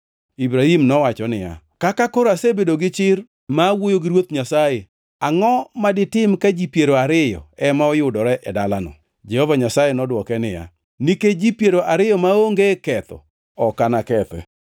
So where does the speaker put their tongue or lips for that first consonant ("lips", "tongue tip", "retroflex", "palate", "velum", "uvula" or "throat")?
lips